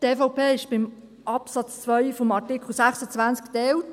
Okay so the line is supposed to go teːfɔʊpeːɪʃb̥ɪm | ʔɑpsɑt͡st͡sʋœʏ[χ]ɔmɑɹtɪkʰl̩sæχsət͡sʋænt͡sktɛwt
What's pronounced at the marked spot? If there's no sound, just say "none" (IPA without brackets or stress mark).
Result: f